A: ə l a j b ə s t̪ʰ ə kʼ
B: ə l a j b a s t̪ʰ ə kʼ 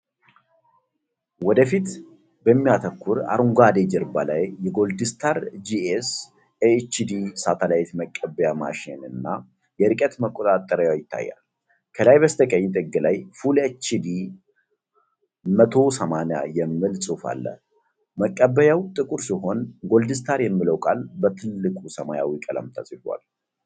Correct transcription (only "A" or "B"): A